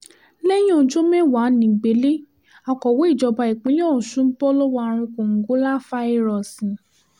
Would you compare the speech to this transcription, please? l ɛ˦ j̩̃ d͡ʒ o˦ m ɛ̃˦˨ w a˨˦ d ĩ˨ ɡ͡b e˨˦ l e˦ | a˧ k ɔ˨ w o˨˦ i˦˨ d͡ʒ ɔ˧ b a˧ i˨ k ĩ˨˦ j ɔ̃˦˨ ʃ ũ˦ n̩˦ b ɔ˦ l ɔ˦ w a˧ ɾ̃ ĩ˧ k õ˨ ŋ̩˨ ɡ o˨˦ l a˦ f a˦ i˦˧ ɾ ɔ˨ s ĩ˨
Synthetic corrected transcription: l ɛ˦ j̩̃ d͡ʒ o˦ m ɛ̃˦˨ w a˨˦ n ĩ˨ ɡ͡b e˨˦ l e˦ | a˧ k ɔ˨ w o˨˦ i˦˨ d͡ʒ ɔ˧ b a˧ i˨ k͡p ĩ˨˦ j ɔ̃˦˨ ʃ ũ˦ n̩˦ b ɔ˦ l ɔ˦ w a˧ ɾ̃ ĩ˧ k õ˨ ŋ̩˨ ɡ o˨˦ l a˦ f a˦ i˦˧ ɾ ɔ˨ s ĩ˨